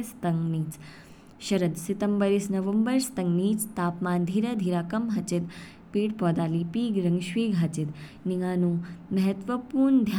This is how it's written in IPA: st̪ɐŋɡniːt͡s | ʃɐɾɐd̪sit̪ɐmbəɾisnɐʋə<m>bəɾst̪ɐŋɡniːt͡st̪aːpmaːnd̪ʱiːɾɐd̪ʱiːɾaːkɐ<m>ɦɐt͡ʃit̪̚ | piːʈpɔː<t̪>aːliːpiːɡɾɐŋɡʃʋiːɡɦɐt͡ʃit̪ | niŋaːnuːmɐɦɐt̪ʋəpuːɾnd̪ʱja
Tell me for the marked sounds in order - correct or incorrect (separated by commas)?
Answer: correct, correct, incorrect